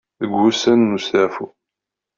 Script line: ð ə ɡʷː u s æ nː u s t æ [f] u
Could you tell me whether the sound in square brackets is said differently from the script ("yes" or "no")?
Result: no